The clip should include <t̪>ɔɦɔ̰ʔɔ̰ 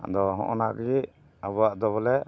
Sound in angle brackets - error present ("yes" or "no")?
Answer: yes